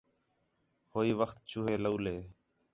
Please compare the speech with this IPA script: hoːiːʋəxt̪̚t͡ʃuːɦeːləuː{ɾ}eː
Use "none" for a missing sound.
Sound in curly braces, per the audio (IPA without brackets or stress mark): l